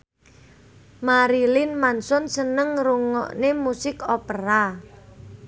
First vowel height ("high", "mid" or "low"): low